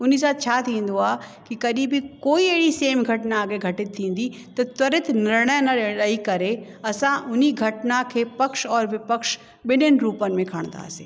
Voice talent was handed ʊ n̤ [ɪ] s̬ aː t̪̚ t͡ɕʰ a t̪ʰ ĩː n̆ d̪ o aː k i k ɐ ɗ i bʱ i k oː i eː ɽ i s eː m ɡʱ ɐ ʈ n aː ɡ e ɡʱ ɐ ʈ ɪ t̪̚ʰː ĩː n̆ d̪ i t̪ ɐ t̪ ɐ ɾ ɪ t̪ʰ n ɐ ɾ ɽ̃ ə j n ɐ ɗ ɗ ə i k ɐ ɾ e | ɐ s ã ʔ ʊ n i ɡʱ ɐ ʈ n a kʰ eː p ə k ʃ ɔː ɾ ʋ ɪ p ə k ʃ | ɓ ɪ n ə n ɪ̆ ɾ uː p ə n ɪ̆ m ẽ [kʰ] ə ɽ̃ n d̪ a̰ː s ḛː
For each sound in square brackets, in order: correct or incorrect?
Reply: incorrect, correct

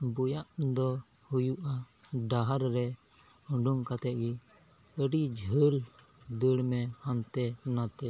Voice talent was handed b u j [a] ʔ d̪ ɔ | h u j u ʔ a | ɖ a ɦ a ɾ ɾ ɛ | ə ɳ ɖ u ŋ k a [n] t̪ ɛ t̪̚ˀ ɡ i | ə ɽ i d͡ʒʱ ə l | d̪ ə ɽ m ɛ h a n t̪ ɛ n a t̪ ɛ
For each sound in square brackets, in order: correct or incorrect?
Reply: correct, incorrect

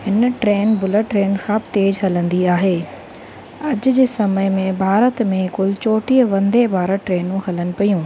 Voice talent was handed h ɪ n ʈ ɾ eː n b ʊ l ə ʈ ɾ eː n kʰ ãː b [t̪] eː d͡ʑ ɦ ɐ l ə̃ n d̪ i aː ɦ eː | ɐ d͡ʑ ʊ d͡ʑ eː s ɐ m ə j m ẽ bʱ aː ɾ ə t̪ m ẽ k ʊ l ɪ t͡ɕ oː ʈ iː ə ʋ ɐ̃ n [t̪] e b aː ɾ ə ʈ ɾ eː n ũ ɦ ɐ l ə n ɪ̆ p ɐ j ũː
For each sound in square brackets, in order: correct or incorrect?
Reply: correct, incorrect

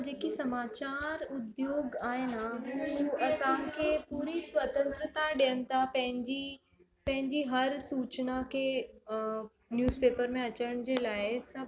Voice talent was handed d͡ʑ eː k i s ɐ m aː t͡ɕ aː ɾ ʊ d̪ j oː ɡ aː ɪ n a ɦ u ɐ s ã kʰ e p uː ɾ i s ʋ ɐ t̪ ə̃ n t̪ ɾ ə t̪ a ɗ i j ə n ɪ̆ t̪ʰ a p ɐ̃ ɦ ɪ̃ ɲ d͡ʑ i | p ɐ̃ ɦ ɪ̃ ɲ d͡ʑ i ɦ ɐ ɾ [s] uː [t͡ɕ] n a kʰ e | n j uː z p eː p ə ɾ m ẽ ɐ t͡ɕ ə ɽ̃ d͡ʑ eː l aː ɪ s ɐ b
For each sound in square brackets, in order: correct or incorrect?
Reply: correct, correct

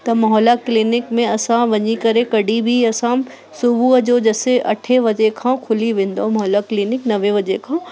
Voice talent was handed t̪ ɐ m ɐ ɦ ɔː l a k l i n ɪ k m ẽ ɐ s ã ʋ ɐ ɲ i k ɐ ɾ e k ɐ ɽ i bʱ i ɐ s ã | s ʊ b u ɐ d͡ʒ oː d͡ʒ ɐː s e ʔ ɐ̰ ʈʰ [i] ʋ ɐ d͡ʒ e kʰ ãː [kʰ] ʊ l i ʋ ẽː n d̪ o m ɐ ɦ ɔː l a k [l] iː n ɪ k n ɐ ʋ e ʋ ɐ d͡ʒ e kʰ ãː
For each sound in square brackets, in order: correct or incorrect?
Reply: incorrect, correct, correct

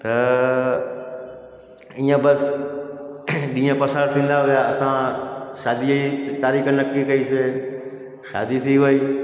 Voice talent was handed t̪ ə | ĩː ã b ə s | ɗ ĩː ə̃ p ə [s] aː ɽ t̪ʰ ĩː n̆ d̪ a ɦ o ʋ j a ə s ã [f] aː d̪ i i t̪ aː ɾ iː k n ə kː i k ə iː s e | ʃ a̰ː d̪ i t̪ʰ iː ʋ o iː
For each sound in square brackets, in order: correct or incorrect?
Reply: correct, incorrect

